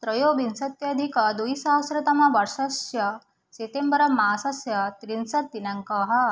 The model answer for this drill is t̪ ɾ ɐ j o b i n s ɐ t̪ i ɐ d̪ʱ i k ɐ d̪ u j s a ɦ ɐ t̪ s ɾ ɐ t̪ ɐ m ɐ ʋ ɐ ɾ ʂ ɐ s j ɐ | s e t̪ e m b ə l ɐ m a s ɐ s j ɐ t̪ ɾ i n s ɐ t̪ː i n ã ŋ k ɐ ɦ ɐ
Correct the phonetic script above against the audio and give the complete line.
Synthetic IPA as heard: t̪ ɾ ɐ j o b i n s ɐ t̪ j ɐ d̪ʱ i k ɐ d̪ u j s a ɦ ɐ s ɾ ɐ t̪ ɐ m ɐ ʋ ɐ ɾ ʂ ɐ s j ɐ | s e t̪ e m b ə ɾ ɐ m a s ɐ s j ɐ t̪ ɾ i n s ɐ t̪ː i n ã ŋ k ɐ ɦ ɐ